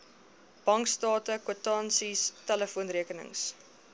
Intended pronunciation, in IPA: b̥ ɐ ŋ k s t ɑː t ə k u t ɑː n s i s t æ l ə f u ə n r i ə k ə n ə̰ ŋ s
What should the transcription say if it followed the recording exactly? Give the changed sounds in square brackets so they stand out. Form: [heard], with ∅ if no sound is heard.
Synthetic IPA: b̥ ɐ ŋ k s t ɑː t ə k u t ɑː n s i s t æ l ə f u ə n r i ə k ə n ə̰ ŋ s